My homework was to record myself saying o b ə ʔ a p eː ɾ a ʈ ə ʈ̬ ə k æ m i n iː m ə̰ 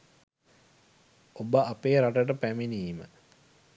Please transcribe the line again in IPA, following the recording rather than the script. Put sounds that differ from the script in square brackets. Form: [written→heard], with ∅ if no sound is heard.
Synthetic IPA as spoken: o b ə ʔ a p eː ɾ a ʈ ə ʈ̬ ə [k→p] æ m i n iː m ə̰